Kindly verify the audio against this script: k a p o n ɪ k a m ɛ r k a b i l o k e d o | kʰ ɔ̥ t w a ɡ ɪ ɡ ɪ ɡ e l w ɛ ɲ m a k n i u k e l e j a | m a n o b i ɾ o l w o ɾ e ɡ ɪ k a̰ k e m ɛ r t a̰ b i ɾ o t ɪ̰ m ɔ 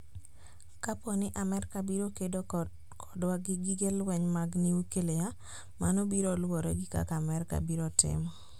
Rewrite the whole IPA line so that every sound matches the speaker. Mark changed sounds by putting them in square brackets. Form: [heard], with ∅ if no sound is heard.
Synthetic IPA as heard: k a p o n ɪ [ʔ] a m ɛ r k a b i [ɾ] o k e d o | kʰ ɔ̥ [d] w a ɡ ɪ ɡ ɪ ɡ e l w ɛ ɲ m a [ɡ] n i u k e l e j a | m a n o b i ɾ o l w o ɾ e ɡ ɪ k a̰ k [a] m ɛ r [k] a̰ b i ɾ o t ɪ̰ m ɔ